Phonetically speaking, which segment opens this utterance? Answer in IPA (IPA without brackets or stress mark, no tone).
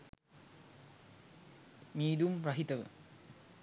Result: m